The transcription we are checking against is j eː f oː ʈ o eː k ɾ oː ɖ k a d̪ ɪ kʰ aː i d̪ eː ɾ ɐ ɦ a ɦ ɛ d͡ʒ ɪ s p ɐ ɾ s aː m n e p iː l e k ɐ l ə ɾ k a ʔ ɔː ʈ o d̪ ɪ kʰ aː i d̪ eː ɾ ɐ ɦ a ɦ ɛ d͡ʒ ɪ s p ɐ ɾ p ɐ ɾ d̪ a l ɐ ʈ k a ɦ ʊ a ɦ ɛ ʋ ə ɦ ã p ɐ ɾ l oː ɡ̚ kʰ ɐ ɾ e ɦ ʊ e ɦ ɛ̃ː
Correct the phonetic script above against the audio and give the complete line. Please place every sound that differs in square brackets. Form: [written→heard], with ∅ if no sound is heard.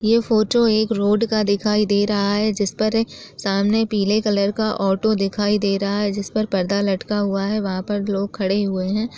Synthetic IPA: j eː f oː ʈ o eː k ɾ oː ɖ k a d̪ ɪ kʰ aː i d̪ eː ɾ ɐ ɦ a ɦ ɛ d͡ʒ ɪ s p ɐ ɾ s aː m n e p iː l e k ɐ l ə ɾ k a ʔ ɔː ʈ o d̪ ɪ kʰ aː i d̪ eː ɾ ɐ ɦ a ɦ ɛ d͡ʒ ɪ s p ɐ ɾ p ɐ ɾ d̪ a l ɐ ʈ k a ɦ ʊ a ɦ ɛ ʋ [ə→ɐ] ɦ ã p ɐ ɾ l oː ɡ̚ kʰ ɐ [ɾ→ɽ] e ɦ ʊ e ɦ ɛ̃ː